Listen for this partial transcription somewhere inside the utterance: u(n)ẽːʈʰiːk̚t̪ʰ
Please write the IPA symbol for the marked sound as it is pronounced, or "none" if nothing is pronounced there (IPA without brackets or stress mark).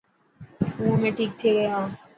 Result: m